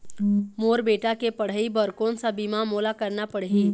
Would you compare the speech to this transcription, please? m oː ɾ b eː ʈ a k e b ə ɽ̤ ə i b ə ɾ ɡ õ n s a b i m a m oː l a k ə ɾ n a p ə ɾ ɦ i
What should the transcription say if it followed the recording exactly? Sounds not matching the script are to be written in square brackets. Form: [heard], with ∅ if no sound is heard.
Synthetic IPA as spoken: m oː ɾ b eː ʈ a k e [p] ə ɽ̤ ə i b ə ɾ [k] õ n s a b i m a m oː l a k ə ɾ n a p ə [ɽ] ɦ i